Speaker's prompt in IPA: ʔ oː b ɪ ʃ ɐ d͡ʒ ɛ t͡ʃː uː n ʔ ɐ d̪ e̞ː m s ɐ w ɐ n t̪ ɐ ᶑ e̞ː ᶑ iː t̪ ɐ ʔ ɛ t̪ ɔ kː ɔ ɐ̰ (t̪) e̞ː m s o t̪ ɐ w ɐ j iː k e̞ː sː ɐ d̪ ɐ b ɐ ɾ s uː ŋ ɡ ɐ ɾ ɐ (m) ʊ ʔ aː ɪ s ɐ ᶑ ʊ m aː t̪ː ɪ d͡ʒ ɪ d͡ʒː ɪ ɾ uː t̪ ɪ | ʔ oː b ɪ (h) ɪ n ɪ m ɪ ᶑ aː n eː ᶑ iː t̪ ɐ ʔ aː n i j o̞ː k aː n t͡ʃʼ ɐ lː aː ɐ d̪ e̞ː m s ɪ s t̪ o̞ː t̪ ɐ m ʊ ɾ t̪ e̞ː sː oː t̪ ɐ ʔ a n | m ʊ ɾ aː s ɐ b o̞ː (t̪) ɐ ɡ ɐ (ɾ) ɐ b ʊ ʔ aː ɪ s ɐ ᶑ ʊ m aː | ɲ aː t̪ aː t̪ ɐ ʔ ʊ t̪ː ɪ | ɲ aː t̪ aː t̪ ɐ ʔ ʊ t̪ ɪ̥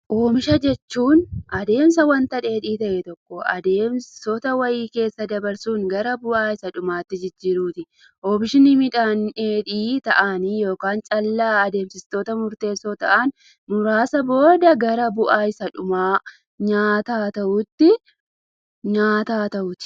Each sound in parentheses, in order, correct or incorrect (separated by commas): incorrect, incorrect, incorrect, incorrect, correct